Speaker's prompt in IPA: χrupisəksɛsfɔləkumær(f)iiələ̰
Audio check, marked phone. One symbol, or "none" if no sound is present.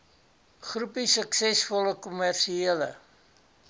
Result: ʃ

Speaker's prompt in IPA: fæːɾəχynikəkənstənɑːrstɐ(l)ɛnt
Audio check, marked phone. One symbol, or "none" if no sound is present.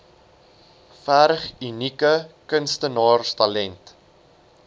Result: l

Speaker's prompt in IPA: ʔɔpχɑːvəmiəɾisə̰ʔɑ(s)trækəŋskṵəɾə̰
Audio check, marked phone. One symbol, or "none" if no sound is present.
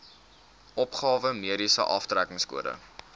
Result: f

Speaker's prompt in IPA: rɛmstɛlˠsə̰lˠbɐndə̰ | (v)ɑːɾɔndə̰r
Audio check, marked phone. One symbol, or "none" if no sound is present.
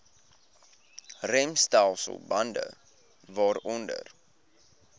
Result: v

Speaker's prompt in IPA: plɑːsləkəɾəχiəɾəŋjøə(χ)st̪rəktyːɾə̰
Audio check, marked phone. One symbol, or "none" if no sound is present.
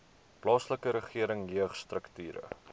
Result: χ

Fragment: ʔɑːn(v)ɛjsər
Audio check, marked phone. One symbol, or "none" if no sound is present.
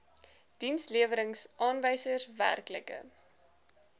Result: v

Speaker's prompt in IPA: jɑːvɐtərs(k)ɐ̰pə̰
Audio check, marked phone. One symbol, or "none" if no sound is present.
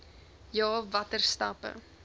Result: t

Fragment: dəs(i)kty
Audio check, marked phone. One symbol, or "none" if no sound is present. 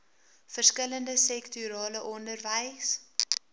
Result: ɛ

